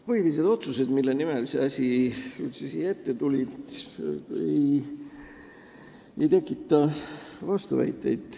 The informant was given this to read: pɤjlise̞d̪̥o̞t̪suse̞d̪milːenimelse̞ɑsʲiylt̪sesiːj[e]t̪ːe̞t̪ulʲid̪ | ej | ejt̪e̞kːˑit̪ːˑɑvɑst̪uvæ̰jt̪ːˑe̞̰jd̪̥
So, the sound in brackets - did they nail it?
yes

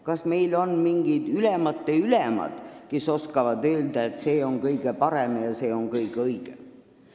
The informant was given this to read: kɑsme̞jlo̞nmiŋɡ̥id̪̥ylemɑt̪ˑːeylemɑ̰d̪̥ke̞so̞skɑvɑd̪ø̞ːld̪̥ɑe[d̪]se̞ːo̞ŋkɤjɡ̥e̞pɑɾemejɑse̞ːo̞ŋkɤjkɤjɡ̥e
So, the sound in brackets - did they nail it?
no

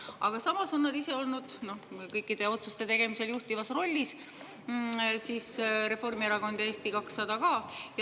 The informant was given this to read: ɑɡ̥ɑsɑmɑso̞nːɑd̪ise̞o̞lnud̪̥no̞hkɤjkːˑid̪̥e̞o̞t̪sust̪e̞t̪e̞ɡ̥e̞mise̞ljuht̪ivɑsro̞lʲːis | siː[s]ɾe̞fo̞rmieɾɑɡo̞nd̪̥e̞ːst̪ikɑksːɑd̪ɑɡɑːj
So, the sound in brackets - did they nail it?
yes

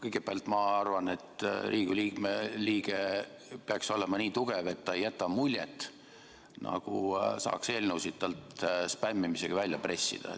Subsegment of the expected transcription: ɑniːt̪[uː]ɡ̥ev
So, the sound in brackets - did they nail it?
no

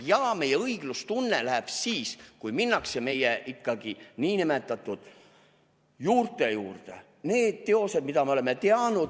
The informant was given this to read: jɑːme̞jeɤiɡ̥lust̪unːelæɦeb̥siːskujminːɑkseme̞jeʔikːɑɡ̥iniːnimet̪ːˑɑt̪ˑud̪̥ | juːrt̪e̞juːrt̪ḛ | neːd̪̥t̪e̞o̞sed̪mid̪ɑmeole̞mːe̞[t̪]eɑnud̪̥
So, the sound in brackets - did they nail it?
yes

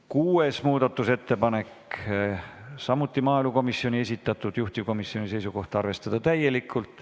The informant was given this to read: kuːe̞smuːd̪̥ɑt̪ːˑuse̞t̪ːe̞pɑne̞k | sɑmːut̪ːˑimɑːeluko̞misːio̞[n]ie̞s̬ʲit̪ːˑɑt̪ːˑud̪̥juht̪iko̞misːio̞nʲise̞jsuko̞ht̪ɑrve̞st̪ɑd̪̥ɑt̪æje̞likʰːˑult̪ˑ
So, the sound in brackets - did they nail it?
yes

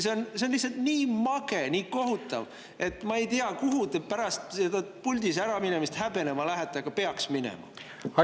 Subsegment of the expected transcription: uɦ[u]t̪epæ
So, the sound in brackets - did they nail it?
yes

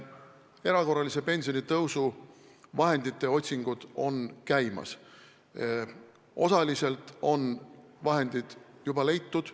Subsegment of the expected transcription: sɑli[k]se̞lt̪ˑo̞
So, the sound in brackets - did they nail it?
no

